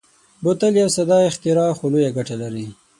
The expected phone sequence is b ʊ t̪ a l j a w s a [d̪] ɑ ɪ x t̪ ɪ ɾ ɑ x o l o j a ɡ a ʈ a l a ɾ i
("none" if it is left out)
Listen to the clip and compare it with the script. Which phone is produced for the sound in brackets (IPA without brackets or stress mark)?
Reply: d̪